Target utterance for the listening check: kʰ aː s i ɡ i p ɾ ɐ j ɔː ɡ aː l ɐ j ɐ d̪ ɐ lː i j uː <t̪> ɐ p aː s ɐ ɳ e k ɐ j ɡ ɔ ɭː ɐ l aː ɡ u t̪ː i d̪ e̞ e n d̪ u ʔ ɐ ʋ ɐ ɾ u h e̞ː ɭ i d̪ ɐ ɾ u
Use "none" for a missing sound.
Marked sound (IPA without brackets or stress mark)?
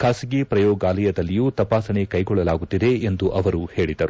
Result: t̪